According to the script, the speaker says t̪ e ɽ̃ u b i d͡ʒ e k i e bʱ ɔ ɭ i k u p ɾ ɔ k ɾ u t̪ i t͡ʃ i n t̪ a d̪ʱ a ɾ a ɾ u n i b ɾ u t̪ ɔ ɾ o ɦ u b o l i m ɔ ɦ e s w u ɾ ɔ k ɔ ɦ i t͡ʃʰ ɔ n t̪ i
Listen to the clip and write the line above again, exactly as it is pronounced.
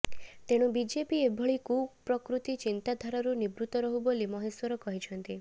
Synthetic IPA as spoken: t̪ e ɽ̃ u b i d͡ʒ e p i e bʱ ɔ ɭ i k u p ɾ ɔ k ɾ u t̪ i t͡ʃ i n t̪ a d̪ʱ a ɾ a ɾ u n i b ɾ u t̪ ɔ ɾ ɔ ɦ u b o l i m ɔ ɦ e s w ɔ ɾ ɔ k ɔ ɦ i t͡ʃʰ ɔ n t̪ i